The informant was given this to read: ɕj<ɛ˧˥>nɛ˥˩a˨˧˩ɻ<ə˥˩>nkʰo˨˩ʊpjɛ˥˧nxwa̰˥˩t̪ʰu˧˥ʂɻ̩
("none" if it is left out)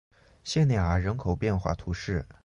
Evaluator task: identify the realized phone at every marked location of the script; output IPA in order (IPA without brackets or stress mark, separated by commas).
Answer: ɛ˥˧, ə˧˥